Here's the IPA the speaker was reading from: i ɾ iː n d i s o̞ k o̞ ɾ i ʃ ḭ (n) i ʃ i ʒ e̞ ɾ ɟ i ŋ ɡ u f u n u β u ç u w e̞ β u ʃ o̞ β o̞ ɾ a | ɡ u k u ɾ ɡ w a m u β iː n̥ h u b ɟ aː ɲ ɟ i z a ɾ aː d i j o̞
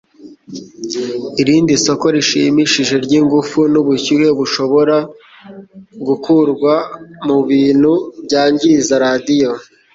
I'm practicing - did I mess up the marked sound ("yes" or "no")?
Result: yes